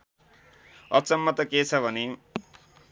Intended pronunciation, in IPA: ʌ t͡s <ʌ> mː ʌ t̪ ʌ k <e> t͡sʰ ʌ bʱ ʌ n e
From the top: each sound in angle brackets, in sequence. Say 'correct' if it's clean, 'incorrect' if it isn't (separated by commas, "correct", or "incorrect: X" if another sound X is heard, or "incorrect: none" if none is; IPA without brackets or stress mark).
correct, correct